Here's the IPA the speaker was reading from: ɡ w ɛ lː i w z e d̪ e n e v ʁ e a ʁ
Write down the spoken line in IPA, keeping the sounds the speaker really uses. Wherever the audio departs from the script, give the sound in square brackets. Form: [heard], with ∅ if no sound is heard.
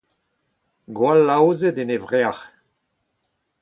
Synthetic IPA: ɡ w [a] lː [a] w z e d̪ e n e v ʁ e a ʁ